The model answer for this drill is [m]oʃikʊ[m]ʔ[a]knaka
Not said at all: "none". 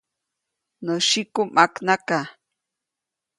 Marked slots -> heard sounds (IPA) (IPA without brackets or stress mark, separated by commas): n, m, a